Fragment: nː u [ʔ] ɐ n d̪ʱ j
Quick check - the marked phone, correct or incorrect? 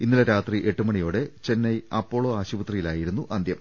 correct